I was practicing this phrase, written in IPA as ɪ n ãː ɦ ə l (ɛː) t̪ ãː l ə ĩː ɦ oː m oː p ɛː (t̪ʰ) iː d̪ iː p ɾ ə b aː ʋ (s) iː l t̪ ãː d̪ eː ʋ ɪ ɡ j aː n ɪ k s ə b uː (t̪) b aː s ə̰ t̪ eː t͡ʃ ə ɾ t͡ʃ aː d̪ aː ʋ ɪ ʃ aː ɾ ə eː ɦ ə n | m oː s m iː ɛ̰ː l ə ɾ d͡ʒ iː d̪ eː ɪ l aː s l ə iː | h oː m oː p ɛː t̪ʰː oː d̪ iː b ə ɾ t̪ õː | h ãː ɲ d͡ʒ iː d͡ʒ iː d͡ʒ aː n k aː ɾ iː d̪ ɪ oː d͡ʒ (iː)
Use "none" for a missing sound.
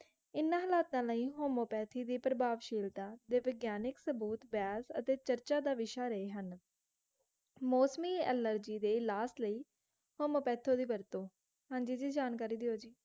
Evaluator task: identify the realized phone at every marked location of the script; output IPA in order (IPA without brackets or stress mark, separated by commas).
aː, t̪ʰ, ʃ, t̪, iː